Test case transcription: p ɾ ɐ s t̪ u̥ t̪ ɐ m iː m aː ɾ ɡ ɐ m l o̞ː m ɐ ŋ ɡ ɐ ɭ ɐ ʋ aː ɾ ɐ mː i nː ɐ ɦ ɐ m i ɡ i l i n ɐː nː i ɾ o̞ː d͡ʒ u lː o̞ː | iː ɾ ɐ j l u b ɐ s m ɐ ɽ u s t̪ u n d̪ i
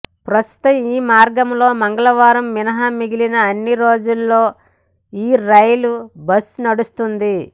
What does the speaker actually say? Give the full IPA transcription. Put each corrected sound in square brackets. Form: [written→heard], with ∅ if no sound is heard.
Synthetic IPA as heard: p ɾ ɐ s t̪ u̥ t̪ ɐ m iː m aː ɾ ɡ ɐ m l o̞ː m ɐ ŋ ɡ ɐ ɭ ɐ ʋ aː ɾ ɐ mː i [nː→n] ɐ ɦ ɐ m i ɡ i l i n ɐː nː i ɾ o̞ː d͡ʒ u lː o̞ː | iː ɾ ɐ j l u b ɐ s [m→n] ɐ ɽ u s t̪ u n d̪ i